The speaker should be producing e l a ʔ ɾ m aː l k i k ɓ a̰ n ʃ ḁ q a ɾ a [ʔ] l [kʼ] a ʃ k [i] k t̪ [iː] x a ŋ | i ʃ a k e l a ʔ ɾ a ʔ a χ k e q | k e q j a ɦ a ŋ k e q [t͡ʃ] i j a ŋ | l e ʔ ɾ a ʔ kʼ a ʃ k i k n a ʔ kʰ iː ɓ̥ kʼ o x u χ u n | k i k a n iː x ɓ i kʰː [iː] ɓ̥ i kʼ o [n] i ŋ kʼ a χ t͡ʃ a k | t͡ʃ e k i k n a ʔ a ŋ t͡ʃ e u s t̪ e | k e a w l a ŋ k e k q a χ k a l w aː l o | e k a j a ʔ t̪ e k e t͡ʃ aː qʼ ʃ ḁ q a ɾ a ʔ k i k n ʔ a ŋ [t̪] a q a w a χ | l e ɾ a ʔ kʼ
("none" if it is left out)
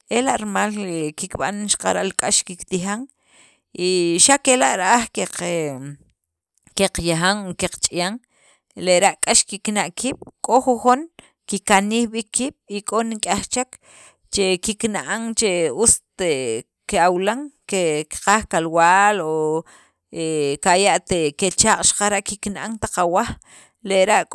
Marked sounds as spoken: ʔ, kʼ, i, i, t͡ʃʼ, iː, n, t̪

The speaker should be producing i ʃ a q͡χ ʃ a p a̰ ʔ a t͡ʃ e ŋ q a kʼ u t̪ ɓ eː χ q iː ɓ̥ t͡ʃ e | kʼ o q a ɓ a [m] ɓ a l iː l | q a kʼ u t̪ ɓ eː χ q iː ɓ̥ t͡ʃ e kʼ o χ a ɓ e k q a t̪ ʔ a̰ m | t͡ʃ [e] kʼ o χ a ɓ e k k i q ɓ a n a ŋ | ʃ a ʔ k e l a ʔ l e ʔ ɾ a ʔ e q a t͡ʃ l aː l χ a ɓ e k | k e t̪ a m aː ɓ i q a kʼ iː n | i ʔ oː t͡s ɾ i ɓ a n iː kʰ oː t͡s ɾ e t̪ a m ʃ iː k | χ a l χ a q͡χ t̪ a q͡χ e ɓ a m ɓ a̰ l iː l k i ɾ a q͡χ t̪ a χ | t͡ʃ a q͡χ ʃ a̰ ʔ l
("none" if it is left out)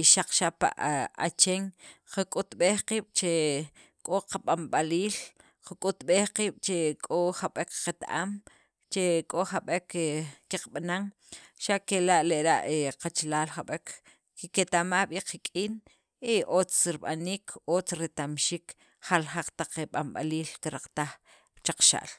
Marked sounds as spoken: m, e

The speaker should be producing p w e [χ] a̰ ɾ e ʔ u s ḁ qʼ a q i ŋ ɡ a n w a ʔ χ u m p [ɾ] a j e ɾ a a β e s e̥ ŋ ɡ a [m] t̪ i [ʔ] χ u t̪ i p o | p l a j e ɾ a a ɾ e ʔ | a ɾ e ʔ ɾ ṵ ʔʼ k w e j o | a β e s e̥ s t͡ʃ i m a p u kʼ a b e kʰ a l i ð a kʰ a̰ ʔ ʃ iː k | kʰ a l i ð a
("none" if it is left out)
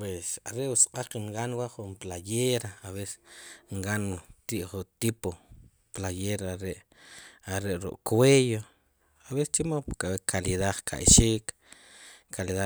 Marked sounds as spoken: s, l, n, ʔ

